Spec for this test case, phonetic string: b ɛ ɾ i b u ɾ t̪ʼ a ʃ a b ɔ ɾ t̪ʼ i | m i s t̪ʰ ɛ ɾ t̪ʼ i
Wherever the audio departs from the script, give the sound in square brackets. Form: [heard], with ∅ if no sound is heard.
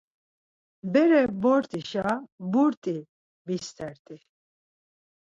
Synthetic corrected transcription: b ɛ ɾ [ɛ] b [ɔ] ɾ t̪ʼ [i] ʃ a b [u] ɾ t̪ʼ i | [b] i s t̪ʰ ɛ ɾ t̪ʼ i